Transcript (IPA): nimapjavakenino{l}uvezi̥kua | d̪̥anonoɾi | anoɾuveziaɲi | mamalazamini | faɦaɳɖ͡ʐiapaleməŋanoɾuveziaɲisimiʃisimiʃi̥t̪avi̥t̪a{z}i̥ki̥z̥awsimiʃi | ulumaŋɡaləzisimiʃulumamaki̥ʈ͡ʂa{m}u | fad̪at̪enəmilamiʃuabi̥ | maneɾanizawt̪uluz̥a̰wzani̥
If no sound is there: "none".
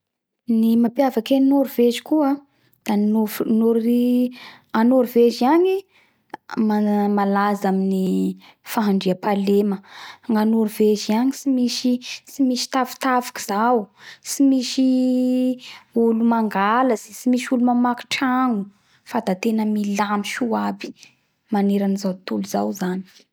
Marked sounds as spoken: ɾ, v, ŋ

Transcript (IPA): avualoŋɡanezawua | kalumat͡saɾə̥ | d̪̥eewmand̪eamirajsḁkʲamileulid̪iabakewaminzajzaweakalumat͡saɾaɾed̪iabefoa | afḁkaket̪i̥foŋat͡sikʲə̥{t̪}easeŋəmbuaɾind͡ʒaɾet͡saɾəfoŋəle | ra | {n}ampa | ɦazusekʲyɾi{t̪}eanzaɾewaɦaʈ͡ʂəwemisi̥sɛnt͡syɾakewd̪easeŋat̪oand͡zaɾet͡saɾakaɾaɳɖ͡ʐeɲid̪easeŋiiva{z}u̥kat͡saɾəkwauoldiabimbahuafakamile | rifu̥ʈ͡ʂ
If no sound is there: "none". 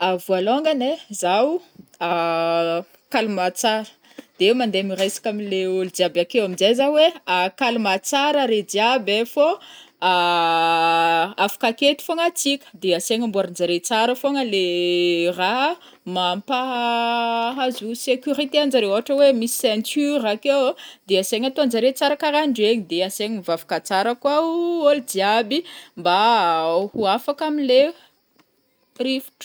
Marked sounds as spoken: d̪, m, t̪, v

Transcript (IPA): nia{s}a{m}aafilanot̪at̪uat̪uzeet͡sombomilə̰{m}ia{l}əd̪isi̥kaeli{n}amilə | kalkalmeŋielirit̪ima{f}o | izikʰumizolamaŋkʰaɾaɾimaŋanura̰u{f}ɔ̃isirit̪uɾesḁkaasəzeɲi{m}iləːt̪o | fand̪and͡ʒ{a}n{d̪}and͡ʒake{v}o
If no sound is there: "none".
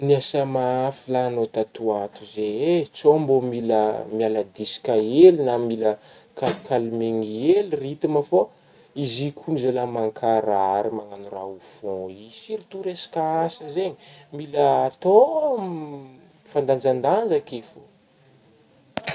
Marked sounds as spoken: s, m, m, l, n, f, f, m, a, d̪, f

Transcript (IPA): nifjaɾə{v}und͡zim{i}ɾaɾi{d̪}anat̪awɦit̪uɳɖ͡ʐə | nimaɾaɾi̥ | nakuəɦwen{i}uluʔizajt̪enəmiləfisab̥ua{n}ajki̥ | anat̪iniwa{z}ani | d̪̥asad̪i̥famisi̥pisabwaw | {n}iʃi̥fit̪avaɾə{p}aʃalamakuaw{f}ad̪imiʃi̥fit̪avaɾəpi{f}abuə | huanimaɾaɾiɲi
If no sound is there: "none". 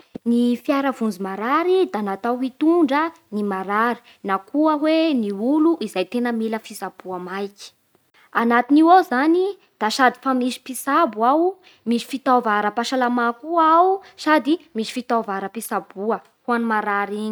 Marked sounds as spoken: v, a, d̪, i, m, z, m, p, s, s

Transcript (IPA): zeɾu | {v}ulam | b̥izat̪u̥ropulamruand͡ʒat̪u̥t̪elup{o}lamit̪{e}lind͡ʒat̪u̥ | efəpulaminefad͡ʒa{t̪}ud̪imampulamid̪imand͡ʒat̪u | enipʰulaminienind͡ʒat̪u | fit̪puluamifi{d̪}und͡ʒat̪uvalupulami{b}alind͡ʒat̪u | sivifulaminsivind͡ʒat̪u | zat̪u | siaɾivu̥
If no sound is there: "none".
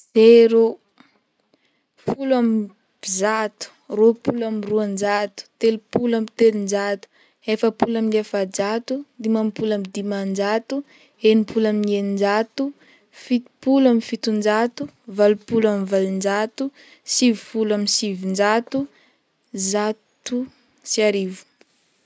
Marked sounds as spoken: f, u, e, t̪, t̪, v

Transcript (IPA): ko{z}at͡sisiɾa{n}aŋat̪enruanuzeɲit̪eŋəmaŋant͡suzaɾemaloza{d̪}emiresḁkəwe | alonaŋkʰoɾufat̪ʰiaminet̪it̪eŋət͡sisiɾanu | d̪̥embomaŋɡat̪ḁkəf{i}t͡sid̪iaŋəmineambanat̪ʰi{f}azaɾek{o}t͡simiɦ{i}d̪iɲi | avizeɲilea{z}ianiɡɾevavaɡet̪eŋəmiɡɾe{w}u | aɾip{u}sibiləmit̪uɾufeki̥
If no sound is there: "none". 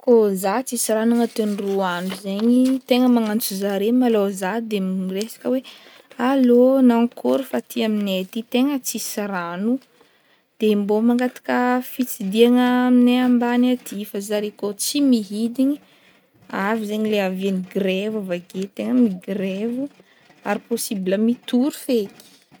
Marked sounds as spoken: z, n, d̪, i, f, o, i, v, v, o

